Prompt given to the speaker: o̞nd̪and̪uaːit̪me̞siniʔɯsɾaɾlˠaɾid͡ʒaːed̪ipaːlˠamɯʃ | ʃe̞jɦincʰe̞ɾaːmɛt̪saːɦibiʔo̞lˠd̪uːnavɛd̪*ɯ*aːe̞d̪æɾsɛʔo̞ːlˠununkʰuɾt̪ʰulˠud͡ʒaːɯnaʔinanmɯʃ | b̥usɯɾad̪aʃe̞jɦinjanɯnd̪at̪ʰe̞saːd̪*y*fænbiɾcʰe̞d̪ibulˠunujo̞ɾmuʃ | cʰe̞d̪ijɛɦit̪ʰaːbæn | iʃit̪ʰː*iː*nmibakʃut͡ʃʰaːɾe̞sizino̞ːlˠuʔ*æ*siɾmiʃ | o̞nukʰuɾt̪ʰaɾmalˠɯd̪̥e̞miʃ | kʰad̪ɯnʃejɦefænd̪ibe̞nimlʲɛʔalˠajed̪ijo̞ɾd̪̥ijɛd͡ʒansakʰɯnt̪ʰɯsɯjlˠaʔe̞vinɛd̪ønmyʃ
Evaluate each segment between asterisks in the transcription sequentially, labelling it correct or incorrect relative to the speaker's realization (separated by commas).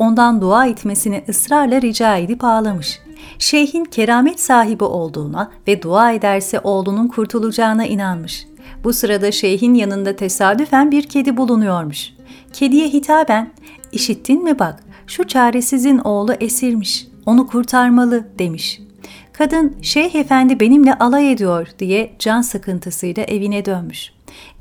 incorrect, correct, incorrect, incorrect